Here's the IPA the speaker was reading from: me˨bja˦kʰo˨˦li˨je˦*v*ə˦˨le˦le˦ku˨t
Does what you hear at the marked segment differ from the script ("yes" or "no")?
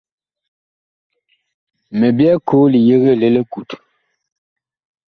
yes